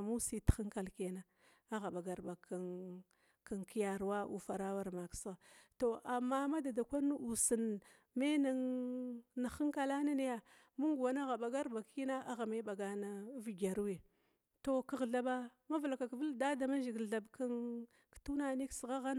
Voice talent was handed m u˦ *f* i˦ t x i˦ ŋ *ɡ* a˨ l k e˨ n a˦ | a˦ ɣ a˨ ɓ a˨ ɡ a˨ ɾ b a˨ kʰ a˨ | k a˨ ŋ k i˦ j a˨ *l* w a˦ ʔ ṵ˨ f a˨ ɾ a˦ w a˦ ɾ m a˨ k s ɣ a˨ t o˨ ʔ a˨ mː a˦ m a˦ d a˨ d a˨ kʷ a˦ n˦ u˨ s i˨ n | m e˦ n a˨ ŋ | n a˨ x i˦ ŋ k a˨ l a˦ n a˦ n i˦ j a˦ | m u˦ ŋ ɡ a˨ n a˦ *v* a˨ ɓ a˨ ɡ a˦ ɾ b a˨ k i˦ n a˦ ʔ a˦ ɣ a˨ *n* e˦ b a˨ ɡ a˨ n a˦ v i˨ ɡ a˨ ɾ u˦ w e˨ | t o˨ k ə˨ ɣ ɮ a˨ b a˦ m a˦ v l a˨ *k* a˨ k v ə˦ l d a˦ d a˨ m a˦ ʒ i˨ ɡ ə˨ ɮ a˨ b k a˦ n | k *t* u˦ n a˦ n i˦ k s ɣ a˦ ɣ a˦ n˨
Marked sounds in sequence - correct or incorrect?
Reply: incorrect, incorrect, incorrect, incorrect, incorrect, correct, correct

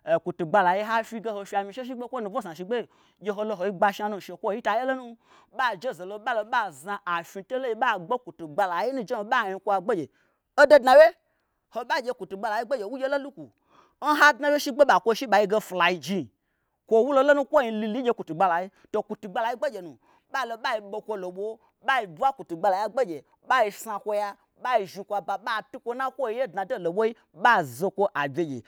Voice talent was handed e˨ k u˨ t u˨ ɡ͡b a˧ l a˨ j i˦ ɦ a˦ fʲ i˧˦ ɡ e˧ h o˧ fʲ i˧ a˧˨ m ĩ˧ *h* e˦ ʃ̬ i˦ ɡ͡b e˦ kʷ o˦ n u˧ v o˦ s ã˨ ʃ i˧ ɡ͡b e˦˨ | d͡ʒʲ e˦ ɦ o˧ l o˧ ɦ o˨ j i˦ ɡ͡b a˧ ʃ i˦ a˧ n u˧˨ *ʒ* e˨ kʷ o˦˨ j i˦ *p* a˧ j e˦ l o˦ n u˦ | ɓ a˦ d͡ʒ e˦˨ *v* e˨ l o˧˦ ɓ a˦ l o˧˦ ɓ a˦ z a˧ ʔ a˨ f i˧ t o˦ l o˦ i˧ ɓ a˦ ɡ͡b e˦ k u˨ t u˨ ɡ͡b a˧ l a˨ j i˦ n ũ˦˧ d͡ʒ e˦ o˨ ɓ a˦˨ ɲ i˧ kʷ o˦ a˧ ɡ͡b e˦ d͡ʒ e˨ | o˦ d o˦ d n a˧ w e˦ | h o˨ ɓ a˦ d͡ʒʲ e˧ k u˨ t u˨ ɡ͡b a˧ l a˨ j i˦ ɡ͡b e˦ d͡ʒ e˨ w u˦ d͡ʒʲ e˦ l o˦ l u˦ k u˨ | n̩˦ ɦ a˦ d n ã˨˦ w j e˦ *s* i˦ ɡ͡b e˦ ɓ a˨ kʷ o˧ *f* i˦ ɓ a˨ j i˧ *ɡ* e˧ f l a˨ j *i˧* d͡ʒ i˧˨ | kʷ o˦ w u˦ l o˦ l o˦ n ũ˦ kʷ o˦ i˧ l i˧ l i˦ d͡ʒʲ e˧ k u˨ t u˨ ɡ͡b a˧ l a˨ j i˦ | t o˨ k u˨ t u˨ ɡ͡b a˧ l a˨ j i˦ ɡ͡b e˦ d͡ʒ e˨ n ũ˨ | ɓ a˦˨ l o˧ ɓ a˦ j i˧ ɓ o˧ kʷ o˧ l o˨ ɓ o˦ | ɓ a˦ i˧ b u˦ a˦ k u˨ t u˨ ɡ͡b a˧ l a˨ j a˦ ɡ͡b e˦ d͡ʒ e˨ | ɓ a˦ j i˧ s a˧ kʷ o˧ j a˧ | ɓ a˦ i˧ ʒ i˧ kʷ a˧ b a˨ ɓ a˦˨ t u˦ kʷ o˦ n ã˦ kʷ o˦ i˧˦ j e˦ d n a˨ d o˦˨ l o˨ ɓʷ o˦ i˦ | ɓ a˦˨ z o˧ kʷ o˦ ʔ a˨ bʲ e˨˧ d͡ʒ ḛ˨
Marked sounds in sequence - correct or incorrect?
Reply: incorrect, incorrect, incorrect, incorrect, incorrect, incorrect, correct, correct

